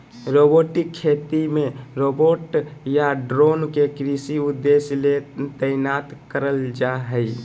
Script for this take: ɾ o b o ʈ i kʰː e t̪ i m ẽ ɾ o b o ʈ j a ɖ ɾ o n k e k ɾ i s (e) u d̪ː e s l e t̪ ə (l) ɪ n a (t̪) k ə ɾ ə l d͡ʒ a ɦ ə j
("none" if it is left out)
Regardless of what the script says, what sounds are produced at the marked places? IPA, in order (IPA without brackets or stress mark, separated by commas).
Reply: i, none, t̪